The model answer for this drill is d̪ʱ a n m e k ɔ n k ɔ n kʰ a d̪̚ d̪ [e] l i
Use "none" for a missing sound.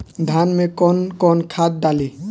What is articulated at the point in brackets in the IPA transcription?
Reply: a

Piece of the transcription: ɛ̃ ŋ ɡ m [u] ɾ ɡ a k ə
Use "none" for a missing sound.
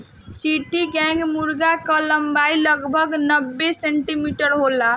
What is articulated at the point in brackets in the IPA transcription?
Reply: u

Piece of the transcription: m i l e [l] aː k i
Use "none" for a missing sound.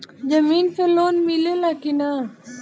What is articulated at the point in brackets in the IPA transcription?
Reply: l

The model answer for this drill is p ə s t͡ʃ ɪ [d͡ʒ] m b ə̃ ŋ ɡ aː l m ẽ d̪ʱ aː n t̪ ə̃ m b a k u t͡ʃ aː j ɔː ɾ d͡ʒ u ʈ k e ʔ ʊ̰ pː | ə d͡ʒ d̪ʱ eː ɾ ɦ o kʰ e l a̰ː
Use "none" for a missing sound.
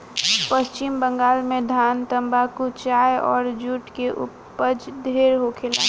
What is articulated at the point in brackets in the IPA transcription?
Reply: none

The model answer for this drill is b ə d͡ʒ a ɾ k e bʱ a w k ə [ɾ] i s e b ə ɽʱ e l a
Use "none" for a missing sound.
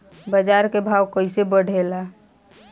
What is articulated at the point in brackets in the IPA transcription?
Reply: none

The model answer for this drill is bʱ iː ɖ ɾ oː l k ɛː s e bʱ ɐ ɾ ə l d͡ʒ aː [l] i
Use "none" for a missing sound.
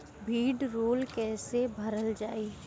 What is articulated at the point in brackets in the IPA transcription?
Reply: none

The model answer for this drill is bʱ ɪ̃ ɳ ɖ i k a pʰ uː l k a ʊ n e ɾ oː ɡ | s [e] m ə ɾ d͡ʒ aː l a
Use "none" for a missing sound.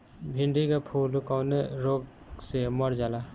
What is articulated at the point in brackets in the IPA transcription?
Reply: e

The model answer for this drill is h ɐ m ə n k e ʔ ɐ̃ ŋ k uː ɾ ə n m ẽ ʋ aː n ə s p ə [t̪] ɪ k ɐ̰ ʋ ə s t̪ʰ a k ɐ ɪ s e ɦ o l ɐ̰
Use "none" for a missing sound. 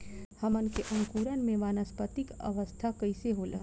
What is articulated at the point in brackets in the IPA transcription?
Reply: t̪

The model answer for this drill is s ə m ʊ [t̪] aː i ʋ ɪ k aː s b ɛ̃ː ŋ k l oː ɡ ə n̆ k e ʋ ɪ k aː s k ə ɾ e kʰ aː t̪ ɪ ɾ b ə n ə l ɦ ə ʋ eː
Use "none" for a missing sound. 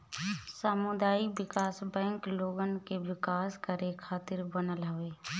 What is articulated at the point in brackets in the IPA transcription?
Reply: d̪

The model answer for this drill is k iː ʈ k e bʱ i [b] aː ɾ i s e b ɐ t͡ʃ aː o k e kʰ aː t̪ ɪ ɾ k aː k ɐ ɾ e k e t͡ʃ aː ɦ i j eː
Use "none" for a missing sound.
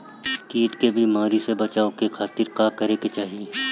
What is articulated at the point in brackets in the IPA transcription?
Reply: m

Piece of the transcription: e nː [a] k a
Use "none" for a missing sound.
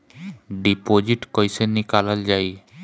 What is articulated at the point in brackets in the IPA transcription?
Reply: i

